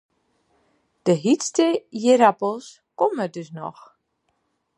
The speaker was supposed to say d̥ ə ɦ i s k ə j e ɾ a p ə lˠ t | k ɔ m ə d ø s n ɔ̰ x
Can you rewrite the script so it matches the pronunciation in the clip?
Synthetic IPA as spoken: d̥ ə ɦ i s t ə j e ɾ a p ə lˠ s | k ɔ m ə d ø s n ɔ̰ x